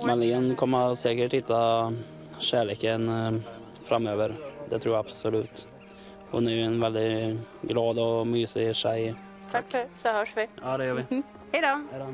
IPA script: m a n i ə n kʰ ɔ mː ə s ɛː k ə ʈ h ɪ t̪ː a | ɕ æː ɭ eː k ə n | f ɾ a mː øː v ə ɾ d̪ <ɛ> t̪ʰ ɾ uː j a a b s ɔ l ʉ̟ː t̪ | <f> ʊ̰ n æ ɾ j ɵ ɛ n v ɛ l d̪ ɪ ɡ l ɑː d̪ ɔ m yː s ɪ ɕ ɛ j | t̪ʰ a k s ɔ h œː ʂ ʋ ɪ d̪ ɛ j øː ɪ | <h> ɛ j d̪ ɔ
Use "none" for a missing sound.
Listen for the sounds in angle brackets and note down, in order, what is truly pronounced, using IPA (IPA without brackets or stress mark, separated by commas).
ɛ, h, h